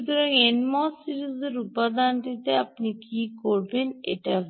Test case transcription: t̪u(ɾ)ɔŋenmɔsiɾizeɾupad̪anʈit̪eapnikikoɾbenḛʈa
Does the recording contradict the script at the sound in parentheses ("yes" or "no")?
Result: no